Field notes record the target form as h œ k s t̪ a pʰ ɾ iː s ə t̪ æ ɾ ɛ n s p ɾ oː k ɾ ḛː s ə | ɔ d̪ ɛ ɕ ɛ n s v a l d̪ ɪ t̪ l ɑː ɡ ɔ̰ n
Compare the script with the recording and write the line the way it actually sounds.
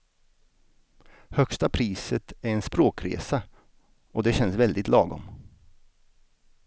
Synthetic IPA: h œ k s t̪ a pʰ ɾ iː s ə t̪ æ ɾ ɛ n s p ɾ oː k ɾ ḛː s a | ɔ d̪ ɛ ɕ ɛ n s v ɛ l d̪ ɪ t̪ l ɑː ɡ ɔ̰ m